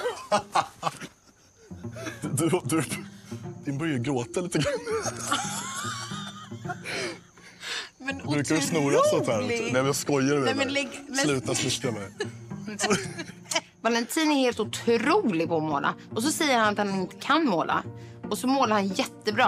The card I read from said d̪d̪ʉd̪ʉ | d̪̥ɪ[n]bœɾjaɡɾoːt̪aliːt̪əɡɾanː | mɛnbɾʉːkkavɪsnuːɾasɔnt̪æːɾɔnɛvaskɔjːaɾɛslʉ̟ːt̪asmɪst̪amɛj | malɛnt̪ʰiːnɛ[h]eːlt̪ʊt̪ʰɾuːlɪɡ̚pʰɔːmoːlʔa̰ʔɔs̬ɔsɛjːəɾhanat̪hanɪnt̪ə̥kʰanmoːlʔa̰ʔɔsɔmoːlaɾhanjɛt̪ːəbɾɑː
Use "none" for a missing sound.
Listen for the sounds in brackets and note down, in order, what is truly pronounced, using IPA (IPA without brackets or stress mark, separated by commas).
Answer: n, h